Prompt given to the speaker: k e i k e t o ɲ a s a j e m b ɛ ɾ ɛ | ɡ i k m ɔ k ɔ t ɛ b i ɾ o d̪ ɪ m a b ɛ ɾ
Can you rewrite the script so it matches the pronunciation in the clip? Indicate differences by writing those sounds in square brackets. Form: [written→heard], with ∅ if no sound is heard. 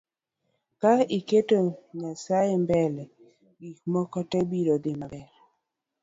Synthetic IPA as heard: k [e→a] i k e t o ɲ a s a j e m b ɛ [ɾ→l] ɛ | ɡ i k m ɔ k ɔ t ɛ b i ɾ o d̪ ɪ m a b ɛ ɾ